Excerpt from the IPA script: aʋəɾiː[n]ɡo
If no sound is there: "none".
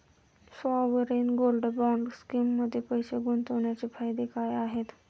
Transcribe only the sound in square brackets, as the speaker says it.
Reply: n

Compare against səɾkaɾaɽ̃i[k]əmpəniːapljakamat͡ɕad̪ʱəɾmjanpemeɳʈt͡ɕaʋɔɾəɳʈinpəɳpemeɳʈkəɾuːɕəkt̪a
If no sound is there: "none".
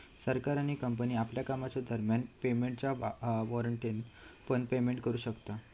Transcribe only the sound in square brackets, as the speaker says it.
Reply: k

